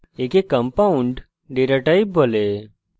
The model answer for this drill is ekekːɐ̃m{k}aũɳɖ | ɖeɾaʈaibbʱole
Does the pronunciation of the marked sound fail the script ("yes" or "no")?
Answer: yes